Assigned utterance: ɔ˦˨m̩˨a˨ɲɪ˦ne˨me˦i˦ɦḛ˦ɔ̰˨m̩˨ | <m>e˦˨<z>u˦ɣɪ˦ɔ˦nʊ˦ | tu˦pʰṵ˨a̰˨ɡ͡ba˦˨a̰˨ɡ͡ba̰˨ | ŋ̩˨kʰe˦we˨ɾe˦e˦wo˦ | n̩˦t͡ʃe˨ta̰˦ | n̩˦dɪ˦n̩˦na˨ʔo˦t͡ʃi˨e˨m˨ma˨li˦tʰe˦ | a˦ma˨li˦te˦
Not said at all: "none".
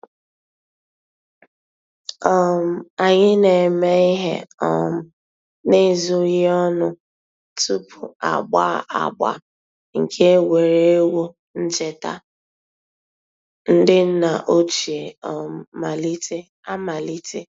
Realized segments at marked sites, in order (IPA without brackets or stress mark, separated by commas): n, z